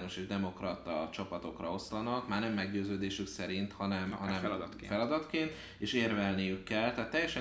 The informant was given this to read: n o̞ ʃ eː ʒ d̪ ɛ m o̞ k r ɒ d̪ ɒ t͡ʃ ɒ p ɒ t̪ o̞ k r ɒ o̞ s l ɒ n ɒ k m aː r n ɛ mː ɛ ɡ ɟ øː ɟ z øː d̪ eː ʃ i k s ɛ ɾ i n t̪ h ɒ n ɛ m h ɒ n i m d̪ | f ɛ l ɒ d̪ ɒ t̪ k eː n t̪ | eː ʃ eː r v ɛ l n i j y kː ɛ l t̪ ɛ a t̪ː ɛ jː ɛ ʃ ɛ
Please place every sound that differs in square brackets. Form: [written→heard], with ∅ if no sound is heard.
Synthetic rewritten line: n o̞ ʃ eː ʒ d̪ ɛ m o̞ k r ɒ [d̪→t̪] ɒ t͡ʃ ɒ p ɒ t̪ o̞ k r ɒ o̞ s l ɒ n ɒ k m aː r n ɛ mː ɛ ɡ ɟ øː [ɟ→∅] z øː d̪ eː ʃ [i→y] k s ɛ ɾ i n t̪ h ɒ n ɛ m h ɒ n [i→ɛ] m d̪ | f ɛ l ɒ d̪ ɒ t̪ k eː n t̪ | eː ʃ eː r v ɛ l n i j y kː ɛ l t̪ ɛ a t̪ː ɛ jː ɛ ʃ ɛ